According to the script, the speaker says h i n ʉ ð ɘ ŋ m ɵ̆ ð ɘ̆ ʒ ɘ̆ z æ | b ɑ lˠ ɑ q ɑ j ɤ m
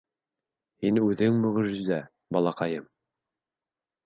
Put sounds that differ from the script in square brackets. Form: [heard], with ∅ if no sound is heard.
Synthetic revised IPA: h i n ʉ ð ɘ ŋ m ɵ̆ [ʁ] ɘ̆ ʒ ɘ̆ z æ | b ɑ lˠ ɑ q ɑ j ɤ m